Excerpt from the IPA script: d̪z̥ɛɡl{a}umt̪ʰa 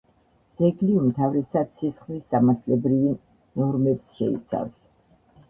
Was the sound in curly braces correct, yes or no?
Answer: no